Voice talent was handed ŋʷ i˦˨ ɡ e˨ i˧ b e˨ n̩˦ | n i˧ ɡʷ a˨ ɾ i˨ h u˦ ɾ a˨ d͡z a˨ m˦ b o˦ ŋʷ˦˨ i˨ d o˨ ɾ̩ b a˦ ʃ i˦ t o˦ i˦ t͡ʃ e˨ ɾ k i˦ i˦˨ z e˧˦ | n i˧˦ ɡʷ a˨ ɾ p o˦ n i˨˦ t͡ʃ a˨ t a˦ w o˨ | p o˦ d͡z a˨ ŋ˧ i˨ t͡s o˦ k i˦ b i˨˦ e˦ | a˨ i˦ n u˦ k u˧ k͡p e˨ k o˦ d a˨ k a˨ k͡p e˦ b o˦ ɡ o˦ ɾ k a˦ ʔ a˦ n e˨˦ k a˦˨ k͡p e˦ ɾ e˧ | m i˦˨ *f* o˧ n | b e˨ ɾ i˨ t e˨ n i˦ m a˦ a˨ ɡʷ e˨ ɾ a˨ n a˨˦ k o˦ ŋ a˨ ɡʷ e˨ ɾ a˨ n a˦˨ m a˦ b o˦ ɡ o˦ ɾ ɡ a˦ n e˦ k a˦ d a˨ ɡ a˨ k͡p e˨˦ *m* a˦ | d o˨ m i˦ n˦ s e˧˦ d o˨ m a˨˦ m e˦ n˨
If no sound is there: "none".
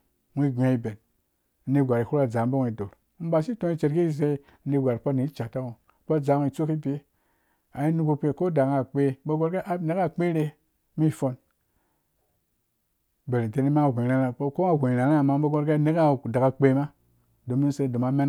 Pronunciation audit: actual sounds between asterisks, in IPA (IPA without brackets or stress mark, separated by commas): f, m